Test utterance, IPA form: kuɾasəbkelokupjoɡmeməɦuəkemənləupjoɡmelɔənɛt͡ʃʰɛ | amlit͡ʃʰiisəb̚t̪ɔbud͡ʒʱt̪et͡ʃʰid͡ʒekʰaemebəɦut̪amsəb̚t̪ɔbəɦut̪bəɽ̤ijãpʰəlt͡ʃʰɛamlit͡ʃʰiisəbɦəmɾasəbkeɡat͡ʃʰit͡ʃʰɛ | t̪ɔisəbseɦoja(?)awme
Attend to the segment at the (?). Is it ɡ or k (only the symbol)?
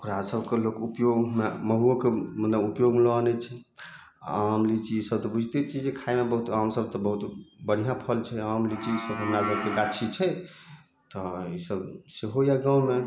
ɡ